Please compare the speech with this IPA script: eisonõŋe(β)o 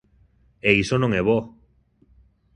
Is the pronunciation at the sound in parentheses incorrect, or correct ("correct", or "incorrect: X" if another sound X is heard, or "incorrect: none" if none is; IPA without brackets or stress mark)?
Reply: correct